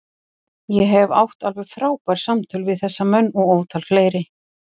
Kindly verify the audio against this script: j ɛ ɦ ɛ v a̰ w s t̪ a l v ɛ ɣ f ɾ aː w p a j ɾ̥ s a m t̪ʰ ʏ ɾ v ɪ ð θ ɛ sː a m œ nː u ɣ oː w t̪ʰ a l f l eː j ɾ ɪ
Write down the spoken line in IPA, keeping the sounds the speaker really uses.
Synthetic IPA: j ɛ ɦ ɛ v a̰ w h t̪ a l v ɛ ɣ f ɾ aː w p a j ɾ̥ s a m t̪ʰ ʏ l v ɪ ð θ ɛ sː a m œ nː ɔ ɣ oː w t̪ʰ a l f l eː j ɾ ɪ